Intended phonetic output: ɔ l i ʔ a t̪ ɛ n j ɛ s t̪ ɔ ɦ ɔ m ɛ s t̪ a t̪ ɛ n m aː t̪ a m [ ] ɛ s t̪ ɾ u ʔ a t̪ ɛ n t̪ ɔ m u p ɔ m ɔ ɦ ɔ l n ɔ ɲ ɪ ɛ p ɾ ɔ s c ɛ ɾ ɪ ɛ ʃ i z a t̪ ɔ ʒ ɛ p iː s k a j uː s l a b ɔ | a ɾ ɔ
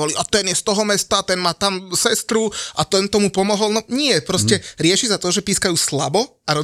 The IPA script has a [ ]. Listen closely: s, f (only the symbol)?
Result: s